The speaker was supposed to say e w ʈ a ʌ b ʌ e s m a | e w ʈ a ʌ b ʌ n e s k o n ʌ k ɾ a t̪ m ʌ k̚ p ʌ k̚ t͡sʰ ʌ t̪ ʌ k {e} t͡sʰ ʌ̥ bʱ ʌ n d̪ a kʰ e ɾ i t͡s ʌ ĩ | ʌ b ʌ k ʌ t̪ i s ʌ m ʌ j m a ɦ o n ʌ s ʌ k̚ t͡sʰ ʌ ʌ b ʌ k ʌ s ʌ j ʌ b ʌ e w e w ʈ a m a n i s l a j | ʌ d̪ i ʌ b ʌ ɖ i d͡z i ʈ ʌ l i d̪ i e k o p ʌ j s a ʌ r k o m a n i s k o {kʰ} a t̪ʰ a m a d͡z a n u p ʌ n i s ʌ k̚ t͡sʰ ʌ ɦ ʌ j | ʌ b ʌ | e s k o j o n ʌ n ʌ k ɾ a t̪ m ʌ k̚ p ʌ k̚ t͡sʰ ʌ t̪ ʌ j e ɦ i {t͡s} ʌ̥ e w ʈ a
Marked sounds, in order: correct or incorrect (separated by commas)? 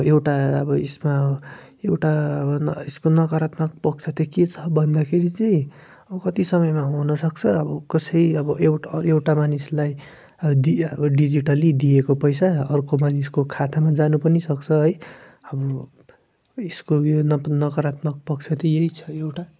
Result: correct, correct, incorrect